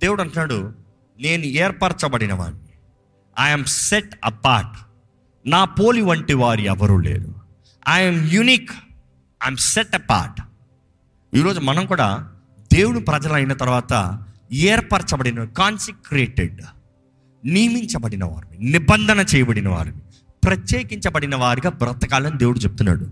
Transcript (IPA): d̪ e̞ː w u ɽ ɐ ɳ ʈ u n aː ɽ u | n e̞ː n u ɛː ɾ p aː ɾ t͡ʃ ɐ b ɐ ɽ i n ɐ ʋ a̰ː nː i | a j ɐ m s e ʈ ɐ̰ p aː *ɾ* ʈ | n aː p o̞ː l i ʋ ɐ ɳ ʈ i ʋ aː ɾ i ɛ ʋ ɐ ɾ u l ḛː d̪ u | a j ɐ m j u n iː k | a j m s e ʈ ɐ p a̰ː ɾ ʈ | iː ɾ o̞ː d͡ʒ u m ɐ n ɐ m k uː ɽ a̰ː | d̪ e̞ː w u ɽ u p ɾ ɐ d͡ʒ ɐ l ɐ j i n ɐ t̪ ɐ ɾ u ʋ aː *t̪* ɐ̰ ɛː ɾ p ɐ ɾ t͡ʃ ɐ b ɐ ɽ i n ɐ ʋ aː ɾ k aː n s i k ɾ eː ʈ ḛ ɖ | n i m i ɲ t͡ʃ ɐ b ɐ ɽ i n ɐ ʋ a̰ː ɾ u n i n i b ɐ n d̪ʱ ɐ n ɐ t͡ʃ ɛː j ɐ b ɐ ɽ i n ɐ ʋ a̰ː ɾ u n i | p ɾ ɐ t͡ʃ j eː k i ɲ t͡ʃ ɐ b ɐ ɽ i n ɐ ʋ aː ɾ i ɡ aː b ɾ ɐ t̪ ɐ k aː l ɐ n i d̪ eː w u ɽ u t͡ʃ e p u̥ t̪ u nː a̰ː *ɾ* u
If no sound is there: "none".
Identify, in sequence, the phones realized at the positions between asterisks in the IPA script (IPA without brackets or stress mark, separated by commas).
ɾ, t̪, ɽ